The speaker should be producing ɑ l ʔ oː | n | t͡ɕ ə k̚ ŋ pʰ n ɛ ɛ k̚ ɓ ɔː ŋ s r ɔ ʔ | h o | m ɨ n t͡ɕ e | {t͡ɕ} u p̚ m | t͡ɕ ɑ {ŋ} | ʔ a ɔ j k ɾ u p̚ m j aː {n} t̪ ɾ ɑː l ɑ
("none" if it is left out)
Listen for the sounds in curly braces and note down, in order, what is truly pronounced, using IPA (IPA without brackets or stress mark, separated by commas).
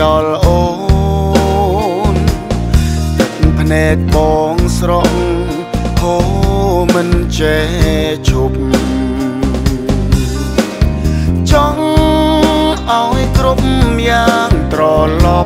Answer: t͡ɕʰ, ŋ, ŋ